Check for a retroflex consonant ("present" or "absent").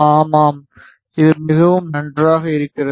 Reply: absent